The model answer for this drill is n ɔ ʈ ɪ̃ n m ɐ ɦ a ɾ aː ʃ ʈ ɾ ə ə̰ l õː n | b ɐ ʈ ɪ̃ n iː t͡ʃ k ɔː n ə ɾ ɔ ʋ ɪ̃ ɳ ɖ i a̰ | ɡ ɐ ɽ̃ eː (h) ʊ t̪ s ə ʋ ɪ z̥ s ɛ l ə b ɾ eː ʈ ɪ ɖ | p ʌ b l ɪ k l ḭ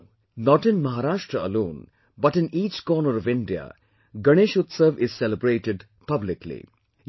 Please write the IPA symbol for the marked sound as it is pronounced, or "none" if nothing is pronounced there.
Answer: ʃ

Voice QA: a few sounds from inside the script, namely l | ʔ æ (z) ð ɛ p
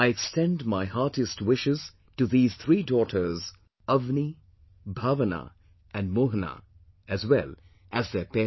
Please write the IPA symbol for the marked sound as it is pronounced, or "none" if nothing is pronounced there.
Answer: z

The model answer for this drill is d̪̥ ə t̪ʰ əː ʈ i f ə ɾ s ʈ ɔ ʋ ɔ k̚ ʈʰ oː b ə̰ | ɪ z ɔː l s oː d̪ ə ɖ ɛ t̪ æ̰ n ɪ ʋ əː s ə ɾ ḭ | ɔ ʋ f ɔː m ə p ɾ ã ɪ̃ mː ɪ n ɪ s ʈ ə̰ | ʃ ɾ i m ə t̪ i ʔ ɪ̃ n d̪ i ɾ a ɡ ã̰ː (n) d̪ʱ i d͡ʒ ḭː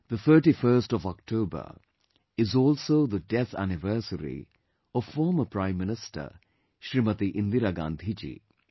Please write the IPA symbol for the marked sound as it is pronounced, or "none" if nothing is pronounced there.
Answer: n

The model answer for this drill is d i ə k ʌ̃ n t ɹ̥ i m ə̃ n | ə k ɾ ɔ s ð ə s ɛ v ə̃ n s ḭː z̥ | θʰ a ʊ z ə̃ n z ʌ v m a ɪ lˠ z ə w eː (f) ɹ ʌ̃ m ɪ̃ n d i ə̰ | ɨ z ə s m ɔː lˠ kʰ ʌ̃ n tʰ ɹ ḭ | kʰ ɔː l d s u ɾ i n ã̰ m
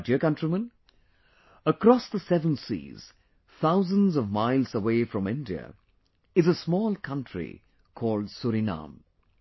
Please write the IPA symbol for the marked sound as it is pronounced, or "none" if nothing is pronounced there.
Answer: f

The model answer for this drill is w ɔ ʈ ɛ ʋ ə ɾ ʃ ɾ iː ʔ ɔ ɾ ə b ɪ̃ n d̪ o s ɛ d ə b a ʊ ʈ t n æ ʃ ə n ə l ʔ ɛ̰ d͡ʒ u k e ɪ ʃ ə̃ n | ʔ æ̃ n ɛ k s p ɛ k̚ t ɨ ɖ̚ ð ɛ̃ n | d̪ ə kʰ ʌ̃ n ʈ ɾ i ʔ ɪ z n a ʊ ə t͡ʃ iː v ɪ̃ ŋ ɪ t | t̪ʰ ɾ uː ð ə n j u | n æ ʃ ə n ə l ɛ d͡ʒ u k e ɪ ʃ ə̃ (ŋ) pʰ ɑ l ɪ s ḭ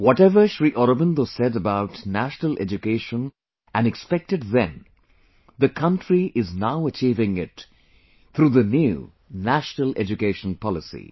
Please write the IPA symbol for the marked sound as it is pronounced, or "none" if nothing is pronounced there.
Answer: n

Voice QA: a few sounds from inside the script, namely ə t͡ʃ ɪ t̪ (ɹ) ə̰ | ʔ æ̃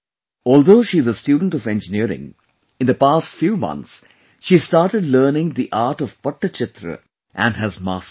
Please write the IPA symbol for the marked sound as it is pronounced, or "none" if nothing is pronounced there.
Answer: ɾ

